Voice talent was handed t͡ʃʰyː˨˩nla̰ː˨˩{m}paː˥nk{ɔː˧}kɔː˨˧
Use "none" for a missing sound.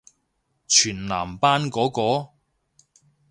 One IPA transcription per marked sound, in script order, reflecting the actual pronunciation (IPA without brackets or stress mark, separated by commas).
m, ɔː˨˥